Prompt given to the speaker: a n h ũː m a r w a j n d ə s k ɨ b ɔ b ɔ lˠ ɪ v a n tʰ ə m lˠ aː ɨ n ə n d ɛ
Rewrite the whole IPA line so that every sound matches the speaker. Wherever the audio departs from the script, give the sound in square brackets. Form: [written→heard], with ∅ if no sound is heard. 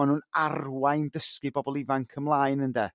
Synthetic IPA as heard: a n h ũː [m→n] a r w a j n d ə s k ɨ b ɔ b ɔ lˠ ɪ v a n [tʰ→kʰ] ə m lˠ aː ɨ n ə n d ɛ